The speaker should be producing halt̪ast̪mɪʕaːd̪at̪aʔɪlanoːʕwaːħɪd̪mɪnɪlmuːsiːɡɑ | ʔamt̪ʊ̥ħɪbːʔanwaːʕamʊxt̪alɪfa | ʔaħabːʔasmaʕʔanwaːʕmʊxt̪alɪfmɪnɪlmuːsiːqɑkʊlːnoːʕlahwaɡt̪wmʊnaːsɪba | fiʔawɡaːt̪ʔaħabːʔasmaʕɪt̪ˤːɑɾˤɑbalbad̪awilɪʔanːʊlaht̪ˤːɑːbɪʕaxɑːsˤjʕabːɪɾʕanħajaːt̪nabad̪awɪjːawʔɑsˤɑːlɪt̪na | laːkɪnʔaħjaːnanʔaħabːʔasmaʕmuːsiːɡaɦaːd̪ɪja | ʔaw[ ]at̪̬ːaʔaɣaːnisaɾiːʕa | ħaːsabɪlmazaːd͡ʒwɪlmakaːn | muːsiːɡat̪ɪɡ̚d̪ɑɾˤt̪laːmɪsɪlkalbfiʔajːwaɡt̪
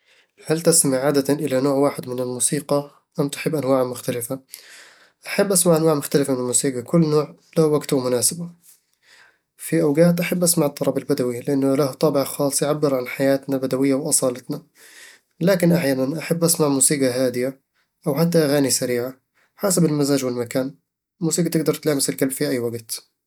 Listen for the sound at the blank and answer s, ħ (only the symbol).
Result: ħ